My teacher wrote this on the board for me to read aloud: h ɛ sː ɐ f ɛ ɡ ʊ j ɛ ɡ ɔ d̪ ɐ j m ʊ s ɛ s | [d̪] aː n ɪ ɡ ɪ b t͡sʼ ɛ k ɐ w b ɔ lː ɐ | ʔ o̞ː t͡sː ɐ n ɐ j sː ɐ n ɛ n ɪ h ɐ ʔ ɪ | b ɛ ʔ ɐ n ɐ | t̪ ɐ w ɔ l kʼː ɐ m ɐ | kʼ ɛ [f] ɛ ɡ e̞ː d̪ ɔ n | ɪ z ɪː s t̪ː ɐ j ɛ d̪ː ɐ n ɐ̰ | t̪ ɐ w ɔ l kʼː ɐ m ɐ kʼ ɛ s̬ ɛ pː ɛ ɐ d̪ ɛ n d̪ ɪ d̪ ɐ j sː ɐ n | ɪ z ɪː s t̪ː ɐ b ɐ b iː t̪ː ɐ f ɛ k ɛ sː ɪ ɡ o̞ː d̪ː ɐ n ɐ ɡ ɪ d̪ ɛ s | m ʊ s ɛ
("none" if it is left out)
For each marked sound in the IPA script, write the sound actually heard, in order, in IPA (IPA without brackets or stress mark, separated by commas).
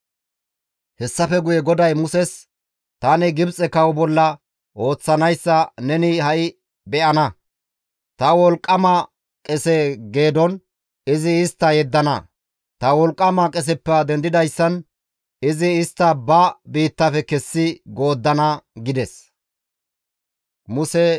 t̪, s